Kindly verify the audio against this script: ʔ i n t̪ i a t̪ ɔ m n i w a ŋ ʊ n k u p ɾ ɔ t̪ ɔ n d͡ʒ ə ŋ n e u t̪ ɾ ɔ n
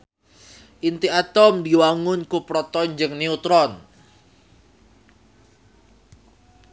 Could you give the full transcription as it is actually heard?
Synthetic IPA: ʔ i n t̪ i a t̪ ɔ m d i w a ŋ ʊ n k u p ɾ ɔ t̪ ɔ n d͡ʒ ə ŋ n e u t̪ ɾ ɔ n